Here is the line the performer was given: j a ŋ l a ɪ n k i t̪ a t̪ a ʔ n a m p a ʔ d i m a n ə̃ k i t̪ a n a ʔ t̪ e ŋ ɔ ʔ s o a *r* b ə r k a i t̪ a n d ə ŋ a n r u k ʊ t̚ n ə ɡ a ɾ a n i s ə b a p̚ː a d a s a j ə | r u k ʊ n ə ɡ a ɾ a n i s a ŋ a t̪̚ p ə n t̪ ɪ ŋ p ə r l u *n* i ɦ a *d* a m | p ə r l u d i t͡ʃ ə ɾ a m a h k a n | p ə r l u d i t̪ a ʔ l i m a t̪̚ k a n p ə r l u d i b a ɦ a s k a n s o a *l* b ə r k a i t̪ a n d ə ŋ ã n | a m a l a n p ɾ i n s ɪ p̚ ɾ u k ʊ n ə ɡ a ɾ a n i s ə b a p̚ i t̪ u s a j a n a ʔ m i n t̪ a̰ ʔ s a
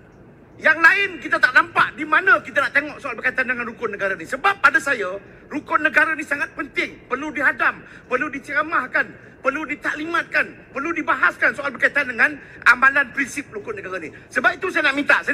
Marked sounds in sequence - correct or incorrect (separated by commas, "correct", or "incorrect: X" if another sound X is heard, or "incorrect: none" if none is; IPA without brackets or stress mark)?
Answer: incorrect: l, incorrect: d, correct, correct